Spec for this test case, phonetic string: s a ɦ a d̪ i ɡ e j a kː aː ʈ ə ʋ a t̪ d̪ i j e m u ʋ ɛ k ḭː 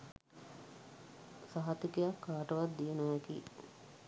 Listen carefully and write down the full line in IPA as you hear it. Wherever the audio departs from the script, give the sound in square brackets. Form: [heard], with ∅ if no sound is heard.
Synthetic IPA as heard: s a ɦ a [t̪] i [k] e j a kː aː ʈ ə ʋ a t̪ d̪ i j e [n] u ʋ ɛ k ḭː